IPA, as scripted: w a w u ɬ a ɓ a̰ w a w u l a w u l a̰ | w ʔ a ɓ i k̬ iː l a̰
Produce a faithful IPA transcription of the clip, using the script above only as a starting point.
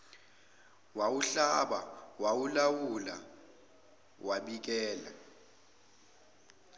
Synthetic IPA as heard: w a w u ɬ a ɓ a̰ w a w u l a w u l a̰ | w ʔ a ɓ i k̬ ɛː l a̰

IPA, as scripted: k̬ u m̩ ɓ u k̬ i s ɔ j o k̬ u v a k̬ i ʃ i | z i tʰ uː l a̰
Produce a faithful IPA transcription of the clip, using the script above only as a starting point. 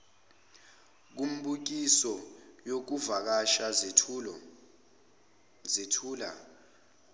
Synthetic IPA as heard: k̬ u m̩ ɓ u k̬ i s ɔ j o k̬ u v a k̬ a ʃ a | z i tʰ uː l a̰

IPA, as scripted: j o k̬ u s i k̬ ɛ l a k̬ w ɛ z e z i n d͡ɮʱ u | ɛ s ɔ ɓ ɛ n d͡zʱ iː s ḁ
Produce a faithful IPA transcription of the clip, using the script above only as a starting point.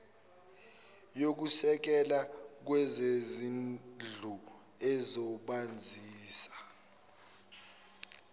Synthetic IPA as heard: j o k̬ u s ɛ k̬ ɛ l a k̬ w ɛ z e z i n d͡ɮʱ u | ɛ z ɔ ɓ a n d͡zʱ iː s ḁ

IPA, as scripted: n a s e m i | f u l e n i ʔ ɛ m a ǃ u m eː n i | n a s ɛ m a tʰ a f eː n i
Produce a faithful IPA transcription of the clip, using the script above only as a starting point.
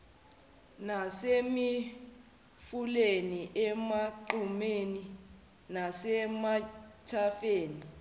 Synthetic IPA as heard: n a s e m i | f u l e n i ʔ ɛ m a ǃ u m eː n i | n a s ɛ m a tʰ a f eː n i

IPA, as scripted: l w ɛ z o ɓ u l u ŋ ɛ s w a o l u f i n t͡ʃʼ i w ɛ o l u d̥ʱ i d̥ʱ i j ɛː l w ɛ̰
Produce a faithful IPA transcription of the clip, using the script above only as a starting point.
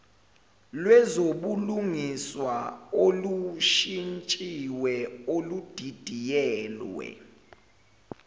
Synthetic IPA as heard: l w ɛ z o ɓ u l u ŋ i s w a o l u ʃ i n t͡ʃʼ i w ɛ o l u d̥ʱ i d̥ʱ i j ɛː l w ɛ̰

